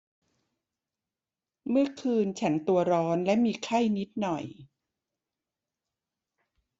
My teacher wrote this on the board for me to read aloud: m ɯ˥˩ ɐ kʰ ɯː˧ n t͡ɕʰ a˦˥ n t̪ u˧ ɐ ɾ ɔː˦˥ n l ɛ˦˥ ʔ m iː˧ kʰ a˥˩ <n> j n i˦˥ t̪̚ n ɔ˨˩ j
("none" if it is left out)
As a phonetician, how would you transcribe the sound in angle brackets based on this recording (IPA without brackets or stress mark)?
none